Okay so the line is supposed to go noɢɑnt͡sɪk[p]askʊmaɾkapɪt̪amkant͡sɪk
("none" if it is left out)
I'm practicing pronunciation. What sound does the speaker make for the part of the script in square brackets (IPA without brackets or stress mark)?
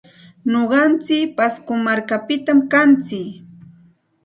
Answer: p